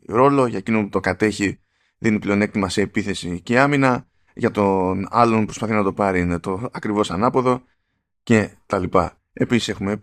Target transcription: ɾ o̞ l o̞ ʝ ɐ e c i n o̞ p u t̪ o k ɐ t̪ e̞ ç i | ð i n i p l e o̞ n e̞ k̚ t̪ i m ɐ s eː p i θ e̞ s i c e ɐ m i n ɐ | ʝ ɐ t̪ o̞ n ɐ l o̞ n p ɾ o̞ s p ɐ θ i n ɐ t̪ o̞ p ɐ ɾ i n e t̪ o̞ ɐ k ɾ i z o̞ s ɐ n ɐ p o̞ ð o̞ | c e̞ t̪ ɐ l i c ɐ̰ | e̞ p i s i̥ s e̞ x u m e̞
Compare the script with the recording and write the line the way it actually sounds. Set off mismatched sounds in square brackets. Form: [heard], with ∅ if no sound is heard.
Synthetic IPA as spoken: ɾ o̞ l o̞ ʝ ɐ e c i n o̞ p u t̪ o k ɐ t̪ e̞ ç i | ð i n i p l e o̞ n e̞ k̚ t̪ i m ɐ s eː p i θ e̞ s i c e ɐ m i n ɐ | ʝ ɐ t̪ o̞ n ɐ l o̞ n p ɾ o̞ s p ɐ θ i n ɐ t̪ o̞ p ɐ ɾ i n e t̪ o̞ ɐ k ɾ i [v] o̞ s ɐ n ɐ p o̞ ð o̞ | c e̞ t̪ ɐ l i [p] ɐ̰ | e̞ p i s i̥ s e̞ x u m e̞